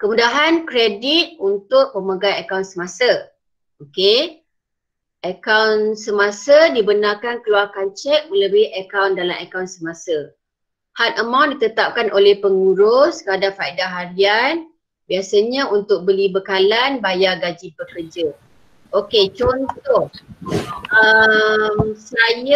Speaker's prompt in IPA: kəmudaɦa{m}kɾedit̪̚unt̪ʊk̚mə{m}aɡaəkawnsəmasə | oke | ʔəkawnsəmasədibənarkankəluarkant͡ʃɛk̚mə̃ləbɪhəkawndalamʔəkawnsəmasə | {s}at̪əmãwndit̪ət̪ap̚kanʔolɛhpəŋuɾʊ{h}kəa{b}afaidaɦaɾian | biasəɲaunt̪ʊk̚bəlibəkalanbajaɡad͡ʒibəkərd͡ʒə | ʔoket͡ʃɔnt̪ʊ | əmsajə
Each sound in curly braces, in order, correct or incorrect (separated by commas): incorrect, correct, incorrect, incorrect, incorrect